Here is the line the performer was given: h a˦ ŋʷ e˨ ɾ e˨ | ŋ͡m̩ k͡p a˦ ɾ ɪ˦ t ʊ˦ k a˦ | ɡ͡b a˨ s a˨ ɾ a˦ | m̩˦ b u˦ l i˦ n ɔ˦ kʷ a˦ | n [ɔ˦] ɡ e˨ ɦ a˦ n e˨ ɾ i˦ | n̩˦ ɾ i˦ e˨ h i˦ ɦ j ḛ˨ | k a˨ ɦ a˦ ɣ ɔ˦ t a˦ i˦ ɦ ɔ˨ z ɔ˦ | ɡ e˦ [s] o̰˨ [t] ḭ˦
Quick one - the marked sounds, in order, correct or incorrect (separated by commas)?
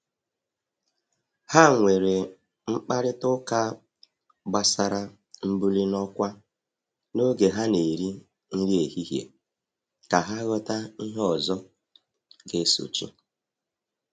incorrect, correct, incorrect